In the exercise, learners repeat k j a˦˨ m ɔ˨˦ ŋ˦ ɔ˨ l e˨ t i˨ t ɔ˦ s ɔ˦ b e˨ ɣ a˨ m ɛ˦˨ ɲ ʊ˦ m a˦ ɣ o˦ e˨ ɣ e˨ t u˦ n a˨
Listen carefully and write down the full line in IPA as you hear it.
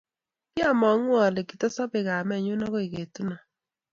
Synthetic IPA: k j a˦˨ m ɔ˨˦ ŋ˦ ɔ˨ l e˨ k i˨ t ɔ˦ s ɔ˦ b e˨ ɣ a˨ m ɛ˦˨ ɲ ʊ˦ n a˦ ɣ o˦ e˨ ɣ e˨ t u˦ n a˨